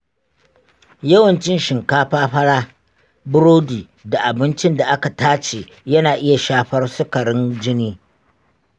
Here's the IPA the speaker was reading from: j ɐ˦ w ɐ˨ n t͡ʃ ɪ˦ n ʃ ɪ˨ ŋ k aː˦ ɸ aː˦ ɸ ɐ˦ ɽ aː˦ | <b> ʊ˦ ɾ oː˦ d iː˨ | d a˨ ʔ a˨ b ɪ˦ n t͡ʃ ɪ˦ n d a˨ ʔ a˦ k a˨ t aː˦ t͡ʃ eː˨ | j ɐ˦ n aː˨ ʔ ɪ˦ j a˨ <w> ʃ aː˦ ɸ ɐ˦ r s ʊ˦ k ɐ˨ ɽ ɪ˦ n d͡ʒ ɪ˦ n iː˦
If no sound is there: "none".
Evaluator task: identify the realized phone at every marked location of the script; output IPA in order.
b, none

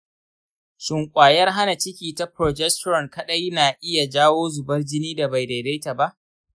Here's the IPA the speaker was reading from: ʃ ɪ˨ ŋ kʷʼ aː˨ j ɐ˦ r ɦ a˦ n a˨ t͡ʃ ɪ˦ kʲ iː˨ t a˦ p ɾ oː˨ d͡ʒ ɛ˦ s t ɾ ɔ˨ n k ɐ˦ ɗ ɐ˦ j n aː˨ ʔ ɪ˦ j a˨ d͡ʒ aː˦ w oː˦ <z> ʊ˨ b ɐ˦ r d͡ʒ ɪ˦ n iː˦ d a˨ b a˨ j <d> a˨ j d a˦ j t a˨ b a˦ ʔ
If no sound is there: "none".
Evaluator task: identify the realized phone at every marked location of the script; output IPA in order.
z, d

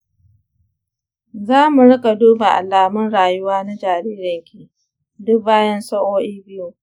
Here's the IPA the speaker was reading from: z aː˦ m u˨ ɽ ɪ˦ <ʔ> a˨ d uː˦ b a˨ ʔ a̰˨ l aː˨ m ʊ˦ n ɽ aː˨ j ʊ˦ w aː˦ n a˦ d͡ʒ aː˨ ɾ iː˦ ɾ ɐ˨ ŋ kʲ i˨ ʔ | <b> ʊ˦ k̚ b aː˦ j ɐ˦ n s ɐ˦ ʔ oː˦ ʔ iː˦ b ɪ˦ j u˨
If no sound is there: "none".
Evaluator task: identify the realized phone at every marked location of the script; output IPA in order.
k, d

